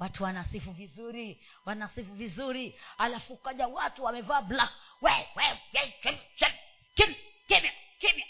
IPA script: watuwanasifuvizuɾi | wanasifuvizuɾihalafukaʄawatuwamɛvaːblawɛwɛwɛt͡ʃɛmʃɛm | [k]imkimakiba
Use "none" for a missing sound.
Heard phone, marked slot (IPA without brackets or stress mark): k